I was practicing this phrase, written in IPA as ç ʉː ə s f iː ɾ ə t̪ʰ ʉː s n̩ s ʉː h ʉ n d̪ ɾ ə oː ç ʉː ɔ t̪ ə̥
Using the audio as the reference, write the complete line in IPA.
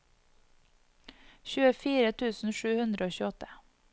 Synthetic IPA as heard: ç ʉː ə f iː ɾ ə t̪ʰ ʉː s n̩ ʃ ʉː h ʉ n d̪ ɾ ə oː ç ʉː ɔ t̪ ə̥

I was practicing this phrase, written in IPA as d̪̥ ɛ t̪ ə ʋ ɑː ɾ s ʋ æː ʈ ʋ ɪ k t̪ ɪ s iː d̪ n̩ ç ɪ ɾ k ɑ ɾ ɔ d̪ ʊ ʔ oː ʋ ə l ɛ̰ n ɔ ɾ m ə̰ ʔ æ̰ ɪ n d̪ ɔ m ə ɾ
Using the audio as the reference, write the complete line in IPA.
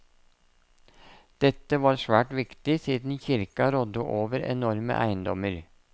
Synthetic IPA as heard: d̪̥ ɛ t̪ ə ʋ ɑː ɾ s ʋ æː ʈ ʋ ɪ k t̪ ɪ s iː d̪ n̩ ç ɪ ɾ k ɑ ɾ ɔ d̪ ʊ ʔ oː ʋ ə ɾ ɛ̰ n ɔ ɾ m ə̰ ʔ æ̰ ɪ n d̪ ɔ m ə ɾ

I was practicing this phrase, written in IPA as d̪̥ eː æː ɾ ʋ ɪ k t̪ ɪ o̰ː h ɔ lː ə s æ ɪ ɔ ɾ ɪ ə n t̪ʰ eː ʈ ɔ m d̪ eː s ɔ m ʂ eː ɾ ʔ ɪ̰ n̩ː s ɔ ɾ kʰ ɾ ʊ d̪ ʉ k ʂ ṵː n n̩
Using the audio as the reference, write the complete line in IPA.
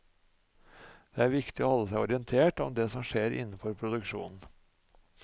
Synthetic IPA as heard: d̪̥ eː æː ɾ ʋ ɪ k t̪ ɪ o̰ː h ɔ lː ə s æ ɪ ɔ ɾ ɪ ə n t̪ʰ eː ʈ ɔ m d̪ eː s ɔ m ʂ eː ɾ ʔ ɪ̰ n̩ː f ɔ ɾ pʰ ɾ ʊ d̪ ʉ k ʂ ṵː n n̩

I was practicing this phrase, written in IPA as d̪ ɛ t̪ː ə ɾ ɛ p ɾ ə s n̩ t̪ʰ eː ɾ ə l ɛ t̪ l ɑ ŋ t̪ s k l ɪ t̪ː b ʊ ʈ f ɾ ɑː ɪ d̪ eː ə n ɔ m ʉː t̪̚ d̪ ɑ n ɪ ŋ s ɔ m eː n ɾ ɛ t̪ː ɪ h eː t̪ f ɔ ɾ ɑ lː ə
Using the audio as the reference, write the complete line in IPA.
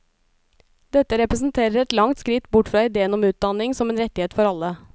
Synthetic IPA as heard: d̪ ɛ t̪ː ə ɾ ɛ p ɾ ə s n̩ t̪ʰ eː ɾ ə ɾ ɛ t̪ l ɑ ŋ t̪ s k ɾ ɪ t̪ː b ʊ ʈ f ɾ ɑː ɪ d̪ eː ə n ɔ m ʉː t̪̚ d̪ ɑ n ɪ ŋ s ɔ m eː n ɾ ɛ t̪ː ɪ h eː t̪ f ɔ ɾ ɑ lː ə

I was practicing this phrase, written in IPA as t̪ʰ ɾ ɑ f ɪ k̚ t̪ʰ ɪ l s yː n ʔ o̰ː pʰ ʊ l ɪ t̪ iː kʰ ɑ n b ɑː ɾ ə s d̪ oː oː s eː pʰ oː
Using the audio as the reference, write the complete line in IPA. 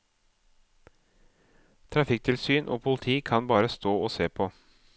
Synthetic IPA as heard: t̪ʰ ɾ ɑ f ɪ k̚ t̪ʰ ɪ l s yː n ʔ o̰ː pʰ ʊ l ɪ t̪ʰ iː kʰ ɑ n b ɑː ɾ ə s t̪ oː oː s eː pʰ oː

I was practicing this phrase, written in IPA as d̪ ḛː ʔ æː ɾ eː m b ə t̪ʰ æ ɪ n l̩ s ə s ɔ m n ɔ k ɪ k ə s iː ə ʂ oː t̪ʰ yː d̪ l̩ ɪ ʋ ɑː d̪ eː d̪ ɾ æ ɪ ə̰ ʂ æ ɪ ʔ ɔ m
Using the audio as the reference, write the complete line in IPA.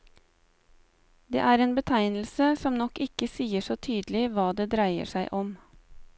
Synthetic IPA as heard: d̪ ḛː ʔ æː ɾ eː n b ə t̪ʰ æ ɪ n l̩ s ə s ɔ m n ɔ k ɪ k ə s iː ə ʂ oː t̪ʰ yː d̪ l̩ ɪ ʋ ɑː d̪ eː d̪ ɾ æ ɪ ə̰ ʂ æ ɪ ʔ ɔ m

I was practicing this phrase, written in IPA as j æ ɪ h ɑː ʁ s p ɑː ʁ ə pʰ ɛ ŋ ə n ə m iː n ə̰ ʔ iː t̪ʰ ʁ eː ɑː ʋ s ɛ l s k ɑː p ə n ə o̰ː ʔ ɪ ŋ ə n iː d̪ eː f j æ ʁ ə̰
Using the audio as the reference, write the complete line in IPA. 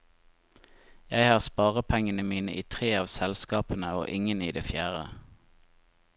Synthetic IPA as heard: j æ ɪ h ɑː ʁ s p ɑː ʁ ə pʰ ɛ ŋ ə n ə m iː n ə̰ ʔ iː t̪ʰ ʁ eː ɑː ʋ s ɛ l s k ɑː p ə n ə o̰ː ʔ ɪ ŋ ə n iː d̪ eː f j æː ʁ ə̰

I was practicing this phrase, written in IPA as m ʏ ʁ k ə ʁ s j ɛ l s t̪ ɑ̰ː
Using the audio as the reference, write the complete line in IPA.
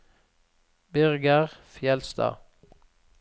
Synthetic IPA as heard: b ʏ ʁ ɡ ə ʁ f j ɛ l s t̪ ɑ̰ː

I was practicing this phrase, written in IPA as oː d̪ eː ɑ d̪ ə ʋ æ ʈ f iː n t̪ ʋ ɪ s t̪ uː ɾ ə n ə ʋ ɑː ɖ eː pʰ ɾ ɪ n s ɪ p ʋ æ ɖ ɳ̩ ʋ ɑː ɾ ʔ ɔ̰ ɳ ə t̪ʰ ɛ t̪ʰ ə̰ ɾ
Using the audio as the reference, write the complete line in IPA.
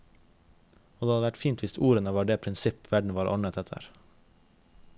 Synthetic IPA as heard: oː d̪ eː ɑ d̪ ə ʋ æ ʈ f iː n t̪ ʋ ɪ s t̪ uː ɾ ə n ə ʋ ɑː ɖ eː pʰ ɾ ɪ n s ɪ p ʋ æ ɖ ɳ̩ ʋ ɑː ɾ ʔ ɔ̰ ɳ ə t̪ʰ ɛ t̪ʰ ə̰ ɾ

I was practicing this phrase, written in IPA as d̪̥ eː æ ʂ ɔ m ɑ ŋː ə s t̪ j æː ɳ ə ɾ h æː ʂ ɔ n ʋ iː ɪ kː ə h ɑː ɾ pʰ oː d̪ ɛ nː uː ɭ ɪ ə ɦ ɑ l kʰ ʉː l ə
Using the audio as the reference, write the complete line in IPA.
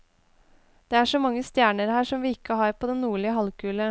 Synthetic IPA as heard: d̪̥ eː æ ʂ ɔ m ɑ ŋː ə s t̪ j æː ɳ ə ɾ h æː ʂ ɔ m ʋ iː ɪ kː ə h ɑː ɾ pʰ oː d̪ ɛ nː uː ɭ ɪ ə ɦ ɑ l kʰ ʉː l ə

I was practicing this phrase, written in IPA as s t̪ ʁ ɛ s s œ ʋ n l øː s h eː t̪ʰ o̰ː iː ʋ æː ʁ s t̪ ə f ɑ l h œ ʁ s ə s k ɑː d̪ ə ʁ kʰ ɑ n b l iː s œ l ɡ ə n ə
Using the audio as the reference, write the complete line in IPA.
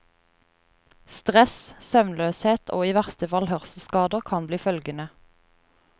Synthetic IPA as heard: s t̪ ʁ ɛ s s œ ʋ n l øː s h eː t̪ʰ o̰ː iː ʋ æ ʁ s t̪ ə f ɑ l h œ ʁ s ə s k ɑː d̪ ə ʁ kʰ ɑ n b l iː f œ l ɡ ə n ə

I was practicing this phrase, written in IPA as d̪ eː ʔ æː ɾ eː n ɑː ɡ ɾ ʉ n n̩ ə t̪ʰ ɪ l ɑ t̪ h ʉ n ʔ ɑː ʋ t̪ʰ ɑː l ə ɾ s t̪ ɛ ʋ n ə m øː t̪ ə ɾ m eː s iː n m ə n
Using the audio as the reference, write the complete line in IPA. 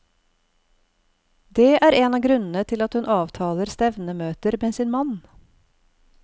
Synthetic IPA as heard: d̪ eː ʔ æː ɾ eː n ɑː ɡ ɾ ʉ n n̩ ə t̪ʰ ɪ l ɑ t̪ h ʉ n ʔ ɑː ʋ t̪ʰ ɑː l ə ɾ s t̪ ɛ ʋ n ə m øː t̪ ə ɾ m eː s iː n m ɑ n

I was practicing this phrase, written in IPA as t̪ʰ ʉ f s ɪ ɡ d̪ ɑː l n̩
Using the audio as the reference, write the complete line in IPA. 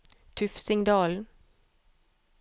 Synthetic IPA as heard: t̪ʰ ʉ f s ɪ ŋ d̪ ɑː l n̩

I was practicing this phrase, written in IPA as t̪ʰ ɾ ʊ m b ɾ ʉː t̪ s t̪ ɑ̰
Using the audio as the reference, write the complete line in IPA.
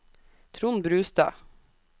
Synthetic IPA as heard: t̪ʰ ɾ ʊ n b ɾ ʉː s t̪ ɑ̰

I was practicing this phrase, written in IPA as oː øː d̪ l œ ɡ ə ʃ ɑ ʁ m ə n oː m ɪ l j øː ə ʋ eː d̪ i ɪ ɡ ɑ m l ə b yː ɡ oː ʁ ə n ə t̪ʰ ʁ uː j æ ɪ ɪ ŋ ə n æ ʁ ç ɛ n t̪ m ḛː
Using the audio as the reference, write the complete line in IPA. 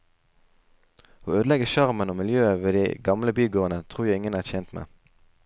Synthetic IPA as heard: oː øː d̪ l ɛ ɡ ə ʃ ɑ ʁ m ə n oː m ɪ l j øː ə ʋ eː d̪ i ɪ ɡ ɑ m l ə b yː ɡ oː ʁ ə n ə t̪ʰ ʁ uː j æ ɪ ɪ ŋ ə n æː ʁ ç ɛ n t̪ m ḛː

